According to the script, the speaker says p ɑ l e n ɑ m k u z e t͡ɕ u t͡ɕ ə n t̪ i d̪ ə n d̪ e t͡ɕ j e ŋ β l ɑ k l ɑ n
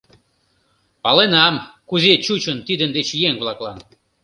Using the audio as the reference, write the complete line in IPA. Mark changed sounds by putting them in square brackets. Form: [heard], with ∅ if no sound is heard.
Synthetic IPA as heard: p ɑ l e n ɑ m k u z e t͡ɕ u t͡ɕ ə n t̪ i d̪ ə n d̪ e t͡ɕ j e ŋ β l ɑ k l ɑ n